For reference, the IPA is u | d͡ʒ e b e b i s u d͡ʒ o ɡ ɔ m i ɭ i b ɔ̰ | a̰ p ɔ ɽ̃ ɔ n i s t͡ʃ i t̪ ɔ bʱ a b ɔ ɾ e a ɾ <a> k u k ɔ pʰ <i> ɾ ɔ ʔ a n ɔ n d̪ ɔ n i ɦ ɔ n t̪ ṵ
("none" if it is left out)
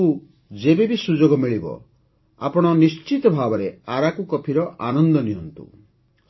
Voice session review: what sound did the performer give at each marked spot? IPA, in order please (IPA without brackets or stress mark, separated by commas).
a, i